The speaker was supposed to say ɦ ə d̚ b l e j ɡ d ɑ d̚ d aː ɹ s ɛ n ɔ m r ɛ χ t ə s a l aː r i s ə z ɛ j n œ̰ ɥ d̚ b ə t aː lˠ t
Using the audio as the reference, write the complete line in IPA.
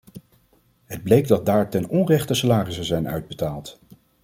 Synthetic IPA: ɦ ə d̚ b l e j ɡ d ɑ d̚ d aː ɹ t ɛ n ɔ n r ɛ χ t ə s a l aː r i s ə z ɛ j n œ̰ ɥ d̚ b ə t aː lˠ t